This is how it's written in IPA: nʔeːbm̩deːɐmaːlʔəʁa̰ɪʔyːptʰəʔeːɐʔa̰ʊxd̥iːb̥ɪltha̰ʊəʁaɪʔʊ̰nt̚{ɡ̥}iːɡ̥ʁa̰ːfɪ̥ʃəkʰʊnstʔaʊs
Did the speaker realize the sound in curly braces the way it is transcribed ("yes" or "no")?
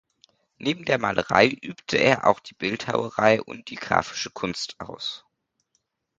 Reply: no